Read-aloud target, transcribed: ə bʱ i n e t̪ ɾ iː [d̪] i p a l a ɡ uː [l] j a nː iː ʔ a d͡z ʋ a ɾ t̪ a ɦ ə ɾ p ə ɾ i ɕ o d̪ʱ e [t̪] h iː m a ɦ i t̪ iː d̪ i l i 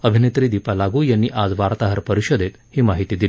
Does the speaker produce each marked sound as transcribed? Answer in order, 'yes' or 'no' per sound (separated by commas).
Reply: yes, no, yes